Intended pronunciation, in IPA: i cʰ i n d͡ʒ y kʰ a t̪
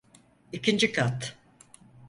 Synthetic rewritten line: i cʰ i n d͡ʒ i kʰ a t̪

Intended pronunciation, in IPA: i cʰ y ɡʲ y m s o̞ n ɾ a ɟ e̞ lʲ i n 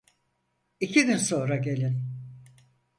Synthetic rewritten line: i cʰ i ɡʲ y n s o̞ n ɾ a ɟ e̞ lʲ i n

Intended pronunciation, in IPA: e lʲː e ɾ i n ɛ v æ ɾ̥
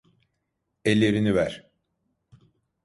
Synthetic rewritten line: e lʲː e ɾ i n i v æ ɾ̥

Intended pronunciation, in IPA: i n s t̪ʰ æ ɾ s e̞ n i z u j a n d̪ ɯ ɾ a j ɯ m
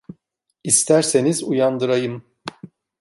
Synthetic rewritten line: i s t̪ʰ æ ɾ s e̞ n i z u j a n d̪ ɯ ɾ a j ɯ m

